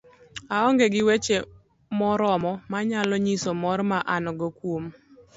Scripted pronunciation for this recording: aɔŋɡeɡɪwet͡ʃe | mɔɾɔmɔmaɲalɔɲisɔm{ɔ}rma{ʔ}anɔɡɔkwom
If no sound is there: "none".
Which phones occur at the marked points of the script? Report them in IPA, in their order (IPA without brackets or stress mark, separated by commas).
ɔ, ʔ